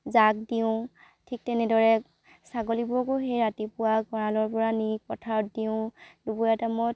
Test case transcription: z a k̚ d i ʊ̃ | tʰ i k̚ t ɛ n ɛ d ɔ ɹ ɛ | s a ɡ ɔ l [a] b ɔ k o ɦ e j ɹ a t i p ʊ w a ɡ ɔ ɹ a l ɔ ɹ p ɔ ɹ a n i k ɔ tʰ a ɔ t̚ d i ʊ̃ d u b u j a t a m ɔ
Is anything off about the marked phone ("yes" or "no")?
yes